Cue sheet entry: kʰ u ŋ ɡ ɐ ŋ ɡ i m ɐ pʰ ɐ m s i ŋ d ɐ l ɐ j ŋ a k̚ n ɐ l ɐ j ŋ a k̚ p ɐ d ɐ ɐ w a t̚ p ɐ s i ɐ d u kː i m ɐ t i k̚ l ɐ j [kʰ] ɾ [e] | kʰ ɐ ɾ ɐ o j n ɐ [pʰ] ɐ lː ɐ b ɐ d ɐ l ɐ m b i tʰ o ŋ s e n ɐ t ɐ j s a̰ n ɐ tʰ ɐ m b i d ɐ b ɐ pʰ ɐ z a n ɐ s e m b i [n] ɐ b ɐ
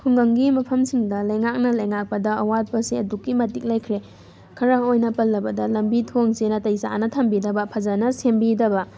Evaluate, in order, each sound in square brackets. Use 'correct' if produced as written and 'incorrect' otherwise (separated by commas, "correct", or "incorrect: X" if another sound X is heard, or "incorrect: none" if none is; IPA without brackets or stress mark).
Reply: correct, correct, incorrect: p, incorrect: d